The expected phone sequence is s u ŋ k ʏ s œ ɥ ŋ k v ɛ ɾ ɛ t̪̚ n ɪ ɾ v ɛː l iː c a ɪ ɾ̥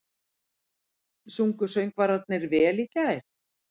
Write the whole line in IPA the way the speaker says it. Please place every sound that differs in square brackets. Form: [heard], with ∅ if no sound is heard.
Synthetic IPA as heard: s u ŋ k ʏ s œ ɥ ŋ k v [a] ɾ [a] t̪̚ n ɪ ɾ v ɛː l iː c a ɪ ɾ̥